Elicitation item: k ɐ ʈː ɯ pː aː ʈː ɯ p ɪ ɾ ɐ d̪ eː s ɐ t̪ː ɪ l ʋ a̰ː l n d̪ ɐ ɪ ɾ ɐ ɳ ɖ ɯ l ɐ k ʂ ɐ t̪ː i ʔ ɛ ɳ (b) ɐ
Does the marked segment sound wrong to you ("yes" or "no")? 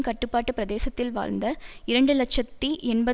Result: no